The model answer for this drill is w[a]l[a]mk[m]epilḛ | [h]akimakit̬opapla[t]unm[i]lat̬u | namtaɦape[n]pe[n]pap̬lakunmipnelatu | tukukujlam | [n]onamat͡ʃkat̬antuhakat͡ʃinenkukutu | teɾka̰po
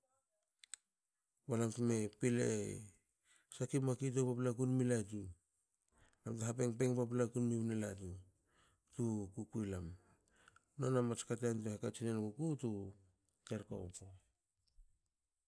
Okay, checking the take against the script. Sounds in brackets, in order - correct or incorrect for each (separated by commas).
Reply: correct, correct, correct, incorrect, incorrect, correct, incorrect, incorrect, correct